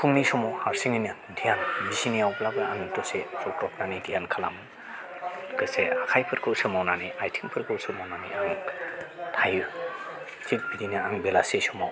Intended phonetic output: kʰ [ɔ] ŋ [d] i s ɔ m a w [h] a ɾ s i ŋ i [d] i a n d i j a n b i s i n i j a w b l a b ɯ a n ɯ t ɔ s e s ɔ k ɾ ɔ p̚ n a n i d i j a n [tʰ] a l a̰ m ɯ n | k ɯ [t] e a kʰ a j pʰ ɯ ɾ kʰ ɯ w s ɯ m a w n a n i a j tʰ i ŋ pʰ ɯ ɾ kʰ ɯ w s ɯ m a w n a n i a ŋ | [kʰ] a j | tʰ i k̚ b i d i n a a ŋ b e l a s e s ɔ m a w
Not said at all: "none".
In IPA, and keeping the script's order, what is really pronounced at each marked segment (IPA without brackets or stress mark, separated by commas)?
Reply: u, n, h, n, kʰ, s, tʰ